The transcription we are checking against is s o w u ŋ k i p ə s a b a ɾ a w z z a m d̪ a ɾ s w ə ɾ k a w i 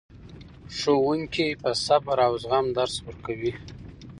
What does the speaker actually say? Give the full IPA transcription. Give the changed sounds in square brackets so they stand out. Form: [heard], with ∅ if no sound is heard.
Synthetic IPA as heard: [ʂ] o w u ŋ k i p ə s a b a ɾ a w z [ɣ] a m d̪ a ɾ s w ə ɾ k a w i